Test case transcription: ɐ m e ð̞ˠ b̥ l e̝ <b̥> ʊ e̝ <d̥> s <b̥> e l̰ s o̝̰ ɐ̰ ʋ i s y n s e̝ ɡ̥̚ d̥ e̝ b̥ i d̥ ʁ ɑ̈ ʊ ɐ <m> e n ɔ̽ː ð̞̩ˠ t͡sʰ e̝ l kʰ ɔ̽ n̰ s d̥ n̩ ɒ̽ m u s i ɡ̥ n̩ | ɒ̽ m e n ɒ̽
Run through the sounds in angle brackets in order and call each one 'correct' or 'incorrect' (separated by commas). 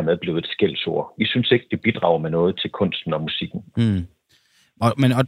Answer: incorrect, correct, incorrect, correct